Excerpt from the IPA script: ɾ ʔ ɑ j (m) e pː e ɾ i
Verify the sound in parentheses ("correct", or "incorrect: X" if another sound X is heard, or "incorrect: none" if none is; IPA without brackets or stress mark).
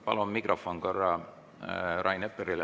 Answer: incorrect: n